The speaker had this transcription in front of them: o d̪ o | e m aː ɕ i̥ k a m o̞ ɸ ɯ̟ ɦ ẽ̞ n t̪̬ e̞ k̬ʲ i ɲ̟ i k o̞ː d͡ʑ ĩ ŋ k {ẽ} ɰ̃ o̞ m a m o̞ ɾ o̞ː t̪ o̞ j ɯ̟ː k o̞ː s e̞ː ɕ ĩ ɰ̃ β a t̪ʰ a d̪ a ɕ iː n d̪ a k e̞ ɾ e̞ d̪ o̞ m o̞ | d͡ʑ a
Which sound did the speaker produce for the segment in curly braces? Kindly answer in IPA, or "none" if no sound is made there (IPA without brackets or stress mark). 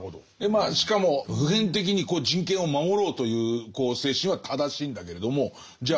ẽ